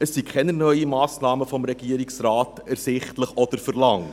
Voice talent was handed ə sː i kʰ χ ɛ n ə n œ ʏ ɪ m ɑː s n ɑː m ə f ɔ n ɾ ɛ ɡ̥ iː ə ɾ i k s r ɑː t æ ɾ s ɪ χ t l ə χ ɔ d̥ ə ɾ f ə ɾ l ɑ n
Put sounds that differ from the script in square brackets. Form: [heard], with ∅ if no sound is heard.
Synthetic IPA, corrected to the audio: ə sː i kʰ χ ɛ n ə n œ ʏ [i] m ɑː s n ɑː m ə f ɔ [m] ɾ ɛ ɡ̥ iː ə ɾ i k s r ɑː t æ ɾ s ɪ χ t l ə χ ɔ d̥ ə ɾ f ə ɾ l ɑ [ŋ]